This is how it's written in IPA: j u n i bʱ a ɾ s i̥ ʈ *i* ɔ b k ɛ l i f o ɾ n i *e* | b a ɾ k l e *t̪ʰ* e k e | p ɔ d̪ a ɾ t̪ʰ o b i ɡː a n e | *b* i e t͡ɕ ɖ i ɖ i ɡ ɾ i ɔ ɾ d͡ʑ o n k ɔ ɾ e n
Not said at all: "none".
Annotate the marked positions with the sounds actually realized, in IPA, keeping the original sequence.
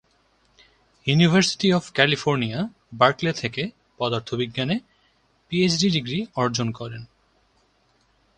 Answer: i, a, t̪ʰ, p

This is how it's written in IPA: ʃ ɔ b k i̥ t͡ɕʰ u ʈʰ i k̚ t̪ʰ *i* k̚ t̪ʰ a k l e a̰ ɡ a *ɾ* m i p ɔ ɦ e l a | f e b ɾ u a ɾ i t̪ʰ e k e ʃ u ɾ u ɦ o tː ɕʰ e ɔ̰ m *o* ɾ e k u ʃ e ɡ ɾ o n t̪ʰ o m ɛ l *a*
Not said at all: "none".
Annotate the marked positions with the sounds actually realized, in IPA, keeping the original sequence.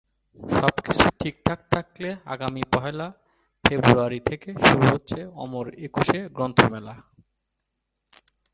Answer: a, none, o, a

